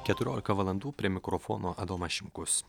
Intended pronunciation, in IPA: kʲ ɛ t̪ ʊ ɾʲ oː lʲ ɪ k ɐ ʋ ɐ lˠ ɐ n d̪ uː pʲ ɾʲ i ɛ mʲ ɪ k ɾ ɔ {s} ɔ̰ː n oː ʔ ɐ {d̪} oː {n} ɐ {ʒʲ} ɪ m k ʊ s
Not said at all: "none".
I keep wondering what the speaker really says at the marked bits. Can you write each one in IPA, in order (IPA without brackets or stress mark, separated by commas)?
f, d̪, m, ʃʲ